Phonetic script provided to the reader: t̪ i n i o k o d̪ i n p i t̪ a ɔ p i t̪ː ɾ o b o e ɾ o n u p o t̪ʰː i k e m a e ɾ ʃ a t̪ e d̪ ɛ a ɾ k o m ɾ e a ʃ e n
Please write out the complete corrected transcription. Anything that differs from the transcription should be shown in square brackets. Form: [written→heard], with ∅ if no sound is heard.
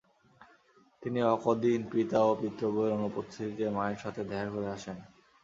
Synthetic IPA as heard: t̪ i n i [o→ɔ] k o d̪ i n p i t̪ a [ɔ→o] p i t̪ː ɾ o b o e ɾ o n u p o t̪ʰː i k e m a e ɾ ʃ a [t̪→t̪ʰ] e d̪ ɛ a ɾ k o [m→∅] ɾ e a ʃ e n